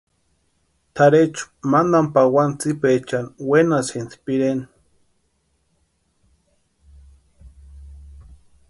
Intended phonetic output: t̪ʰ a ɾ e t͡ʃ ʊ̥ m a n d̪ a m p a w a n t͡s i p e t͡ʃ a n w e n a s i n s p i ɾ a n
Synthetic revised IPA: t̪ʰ a ɾ e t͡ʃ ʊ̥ m a n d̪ a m p a w a n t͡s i p e t͡ʃ a n w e n a s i n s p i ɾ e n